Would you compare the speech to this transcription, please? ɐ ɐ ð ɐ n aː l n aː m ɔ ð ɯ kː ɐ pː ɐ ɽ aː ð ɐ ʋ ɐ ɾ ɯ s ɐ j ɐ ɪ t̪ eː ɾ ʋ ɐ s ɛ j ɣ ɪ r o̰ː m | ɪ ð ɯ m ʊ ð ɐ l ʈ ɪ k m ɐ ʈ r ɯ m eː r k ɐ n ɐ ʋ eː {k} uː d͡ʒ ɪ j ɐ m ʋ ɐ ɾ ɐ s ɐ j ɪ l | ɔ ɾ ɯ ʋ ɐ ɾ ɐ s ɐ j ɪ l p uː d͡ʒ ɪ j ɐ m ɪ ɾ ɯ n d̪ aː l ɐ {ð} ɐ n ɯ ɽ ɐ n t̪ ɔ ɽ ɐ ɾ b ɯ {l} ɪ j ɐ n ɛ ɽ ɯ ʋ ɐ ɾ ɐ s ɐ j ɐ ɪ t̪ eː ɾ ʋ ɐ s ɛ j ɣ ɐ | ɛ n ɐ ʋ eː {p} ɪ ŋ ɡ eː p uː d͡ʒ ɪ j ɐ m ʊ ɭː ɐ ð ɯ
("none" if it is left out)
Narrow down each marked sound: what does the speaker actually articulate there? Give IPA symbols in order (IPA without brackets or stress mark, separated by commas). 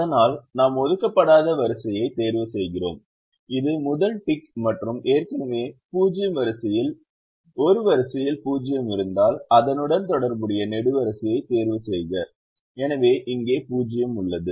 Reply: p, ð, ɽ, ʔ